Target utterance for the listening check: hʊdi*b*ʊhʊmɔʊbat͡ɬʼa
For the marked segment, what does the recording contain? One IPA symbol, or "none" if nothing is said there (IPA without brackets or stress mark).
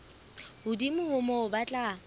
m